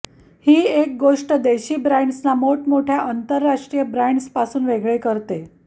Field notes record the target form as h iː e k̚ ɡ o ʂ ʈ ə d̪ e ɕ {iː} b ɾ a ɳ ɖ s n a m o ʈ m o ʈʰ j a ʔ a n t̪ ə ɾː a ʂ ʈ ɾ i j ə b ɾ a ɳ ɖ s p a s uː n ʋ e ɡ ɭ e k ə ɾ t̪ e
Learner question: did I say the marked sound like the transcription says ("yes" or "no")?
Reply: yes